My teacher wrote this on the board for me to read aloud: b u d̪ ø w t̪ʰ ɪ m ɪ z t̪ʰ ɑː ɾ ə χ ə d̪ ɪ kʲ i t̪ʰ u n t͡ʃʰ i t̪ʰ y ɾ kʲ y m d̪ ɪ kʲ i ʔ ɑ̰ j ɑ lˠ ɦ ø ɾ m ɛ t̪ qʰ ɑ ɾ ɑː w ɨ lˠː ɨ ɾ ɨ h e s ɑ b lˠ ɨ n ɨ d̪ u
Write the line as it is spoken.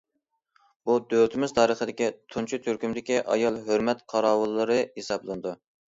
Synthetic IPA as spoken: b u d̪ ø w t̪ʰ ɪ m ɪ z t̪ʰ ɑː ɾ ə χ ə d̪ ɪ kʲ i t̪ʰ u n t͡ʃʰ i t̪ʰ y ɾ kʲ y m d̪ ɪ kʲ i ʔ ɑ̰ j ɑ lˠ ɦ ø ɾ m ɛ t̪ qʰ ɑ ɾ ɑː w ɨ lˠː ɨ ɾ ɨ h e s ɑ b lˠ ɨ n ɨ d̪ u